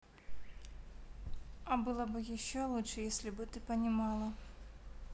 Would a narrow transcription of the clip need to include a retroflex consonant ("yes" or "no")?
yes